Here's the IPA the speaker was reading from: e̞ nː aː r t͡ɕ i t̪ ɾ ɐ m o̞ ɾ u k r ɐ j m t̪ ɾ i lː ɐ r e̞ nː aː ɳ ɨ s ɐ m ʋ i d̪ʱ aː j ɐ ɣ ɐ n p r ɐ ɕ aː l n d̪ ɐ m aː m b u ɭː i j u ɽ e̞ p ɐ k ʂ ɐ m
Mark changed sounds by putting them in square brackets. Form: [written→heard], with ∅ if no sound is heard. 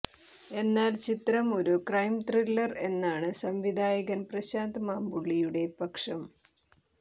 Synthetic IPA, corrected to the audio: e̞ nː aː [r→l] t͡ɕ i t̪ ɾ ɐ m o̞ ɾ u k r ɐ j m t̪ [ɾ→r] i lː ɐ r e̞ nː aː ɳ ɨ s ɐ m ʋ i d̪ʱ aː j ɐ ɣ ɐ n p r ɐ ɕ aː [l→∅] n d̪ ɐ m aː m b u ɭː i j u ɽ e̞ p ɐ k ʂ ɐ m